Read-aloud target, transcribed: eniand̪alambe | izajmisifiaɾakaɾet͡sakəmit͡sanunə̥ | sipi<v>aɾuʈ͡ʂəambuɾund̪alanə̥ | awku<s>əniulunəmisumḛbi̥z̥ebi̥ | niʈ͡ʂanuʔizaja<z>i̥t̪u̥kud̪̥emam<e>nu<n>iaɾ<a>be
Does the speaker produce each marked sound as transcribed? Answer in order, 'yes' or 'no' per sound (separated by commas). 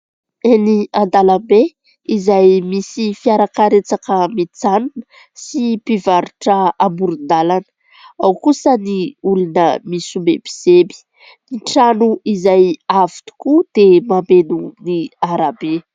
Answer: yes, yes, no, yes, yes, yes